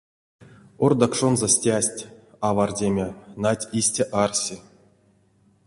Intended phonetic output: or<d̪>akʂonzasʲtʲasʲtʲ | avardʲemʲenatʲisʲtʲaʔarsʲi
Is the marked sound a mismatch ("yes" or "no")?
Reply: no